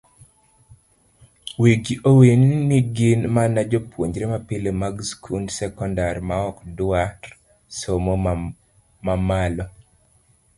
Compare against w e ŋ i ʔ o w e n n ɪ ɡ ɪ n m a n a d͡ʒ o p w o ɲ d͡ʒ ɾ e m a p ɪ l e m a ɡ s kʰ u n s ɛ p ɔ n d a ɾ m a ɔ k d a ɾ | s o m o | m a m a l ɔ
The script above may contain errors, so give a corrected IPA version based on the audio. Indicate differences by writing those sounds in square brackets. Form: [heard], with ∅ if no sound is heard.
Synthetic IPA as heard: w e [ɡ] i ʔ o w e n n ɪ ɡ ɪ n m a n a d͡ʒ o p w o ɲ d͡ʒ ɾ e m a p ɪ l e m a ɡ s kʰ u n s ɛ [k] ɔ n d a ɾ m a ɔ k d a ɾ | s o m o | m a m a l ɔ